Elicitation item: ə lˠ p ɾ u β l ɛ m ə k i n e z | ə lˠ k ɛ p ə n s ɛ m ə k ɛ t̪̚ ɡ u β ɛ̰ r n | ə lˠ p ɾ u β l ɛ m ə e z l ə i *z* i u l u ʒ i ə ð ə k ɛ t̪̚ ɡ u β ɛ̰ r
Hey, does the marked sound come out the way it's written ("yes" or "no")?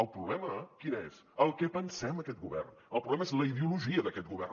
no